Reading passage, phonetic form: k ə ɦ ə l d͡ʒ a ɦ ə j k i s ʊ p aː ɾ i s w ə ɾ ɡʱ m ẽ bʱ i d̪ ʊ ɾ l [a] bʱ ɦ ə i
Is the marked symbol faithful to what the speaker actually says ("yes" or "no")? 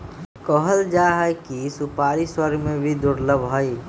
no